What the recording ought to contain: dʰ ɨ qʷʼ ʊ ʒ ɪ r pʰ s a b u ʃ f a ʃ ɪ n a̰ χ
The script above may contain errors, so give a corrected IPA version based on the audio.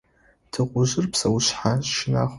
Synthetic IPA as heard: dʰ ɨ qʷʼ ʊ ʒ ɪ r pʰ s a w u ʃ ħ a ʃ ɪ n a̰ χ